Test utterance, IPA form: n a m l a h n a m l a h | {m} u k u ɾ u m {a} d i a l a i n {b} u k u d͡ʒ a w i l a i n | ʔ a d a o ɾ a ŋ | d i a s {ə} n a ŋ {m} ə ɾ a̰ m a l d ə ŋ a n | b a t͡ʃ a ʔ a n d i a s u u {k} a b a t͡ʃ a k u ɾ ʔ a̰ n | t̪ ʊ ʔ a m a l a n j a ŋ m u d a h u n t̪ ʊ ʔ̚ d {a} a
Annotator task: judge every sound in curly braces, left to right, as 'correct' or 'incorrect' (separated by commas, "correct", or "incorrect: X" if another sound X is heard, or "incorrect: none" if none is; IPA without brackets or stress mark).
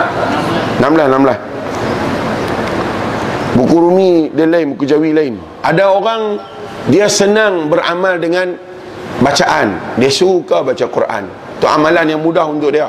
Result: incorrect: b, incorrect: i, correct, correct, incorrect: b, correct, incorrect: i